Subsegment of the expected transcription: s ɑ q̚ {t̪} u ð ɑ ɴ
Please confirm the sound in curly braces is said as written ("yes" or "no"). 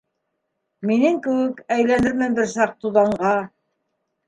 yes